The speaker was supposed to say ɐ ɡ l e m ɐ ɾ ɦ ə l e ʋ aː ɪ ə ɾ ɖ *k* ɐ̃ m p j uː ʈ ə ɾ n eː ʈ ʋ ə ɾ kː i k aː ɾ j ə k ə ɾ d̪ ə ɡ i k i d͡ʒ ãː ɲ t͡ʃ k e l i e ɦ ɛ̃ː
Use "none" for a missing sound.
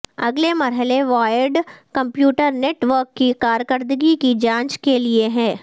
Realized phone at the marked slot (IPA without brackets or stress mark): k